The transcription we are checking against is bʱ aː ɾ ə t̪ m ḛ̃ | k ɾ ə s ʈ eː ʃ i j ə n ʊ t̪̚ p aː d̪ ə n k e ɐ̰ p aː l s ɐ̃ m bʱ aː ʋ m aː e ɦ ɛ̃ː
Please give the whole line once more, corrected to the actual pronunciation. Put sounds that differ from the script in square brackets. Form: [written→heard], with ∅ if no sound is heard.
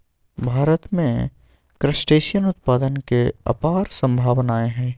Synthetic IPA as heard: bʱ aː ɾ ə t̪ m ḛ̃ | k ɾ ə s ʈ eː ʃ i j ə n ʊ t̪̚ p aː d̪ ə n k e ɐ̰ p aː [l→ɾ] s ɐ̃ m bʱ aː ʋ [m→n] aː e ɦ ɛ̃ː